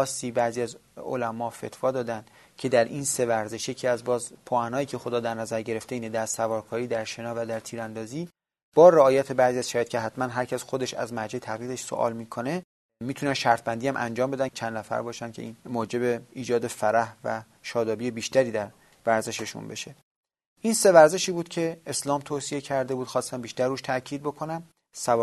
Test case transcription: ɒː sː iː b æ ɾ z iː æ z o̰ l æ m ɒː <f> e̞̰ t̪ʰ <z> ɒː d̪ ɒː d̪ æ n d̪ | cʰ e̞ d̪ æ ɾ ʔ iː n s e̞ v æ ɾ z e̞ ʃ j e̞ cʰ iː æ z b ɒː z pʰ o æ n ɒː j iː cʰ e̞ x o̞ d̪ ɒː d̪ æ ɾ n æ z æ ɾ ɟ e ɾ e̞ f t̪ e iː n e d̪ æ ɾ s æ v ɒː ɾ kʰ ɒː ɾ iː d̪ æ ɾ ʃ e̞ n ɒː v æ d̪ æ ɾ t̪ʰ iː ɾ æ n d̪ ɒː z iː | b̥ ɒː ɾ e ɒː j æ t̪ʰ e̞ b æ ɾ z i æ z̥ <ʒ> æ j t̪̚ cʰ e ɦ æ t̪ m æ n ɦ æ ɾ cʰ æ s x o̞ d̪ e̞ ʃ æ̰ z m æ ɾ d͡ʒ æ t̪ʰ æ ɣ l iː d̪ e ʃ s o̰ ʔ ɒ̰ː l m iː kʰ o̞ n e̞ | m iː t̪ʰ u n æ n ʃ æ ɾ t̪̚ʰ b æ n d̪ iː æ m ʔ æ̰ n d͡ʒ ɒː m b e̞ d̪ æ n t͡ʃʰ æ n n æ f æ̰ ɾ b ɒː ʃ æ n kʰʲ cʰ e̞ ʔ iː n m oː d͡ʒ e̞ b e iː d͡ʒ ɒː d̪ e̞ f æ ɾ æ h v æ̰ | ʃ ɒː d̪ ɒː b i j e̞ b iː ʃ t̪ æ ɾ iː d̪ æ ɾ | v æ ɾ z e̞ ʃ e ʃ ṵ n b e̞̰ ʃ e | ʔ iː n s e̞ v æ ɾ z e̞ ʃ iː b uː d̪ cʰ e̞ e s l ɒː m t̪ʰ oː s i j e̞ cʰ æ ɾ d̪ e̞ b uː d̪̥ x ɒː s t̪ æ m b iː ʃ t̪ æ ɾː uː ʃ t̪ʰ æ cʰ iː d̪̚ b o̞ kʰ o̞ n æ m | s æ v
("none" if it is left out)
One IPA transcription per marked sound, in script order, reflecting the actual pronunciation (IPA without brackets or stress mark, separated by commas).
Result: f, v, ʃ